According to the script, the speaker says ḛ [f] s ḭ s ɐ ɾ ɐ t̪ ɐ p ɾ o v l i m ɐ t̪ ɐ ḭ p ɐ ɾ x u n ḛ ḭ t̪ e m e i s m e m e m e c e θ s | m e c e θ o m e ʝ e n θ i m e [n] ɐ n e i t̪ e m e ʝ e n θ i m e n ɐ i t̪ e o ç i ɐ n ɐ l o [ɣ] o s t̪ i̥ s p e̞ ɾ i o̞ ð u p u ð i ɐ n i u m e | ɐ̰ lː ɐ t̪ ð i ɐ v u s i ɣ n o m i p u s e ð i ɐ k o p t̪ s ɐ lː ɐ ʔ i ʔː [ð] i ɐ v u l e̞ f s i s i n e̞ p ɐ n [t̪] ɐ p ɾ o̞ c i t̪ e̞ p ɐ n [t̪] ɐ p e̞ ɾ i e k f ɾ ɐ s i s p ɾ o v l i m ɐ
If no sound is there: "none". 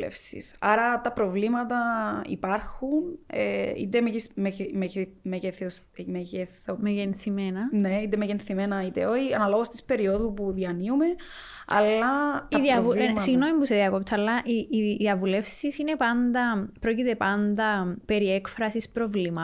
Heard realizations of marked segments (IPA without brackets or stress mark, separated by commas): f, n, ɣ, ð, d̪, d̪